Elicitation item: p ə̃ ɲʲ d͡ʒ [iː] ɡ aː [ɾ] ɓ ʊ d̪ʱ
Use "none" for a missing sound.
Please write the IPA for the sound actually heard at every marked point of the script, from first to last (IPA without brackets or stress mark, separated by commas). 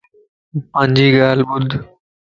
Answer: iː, l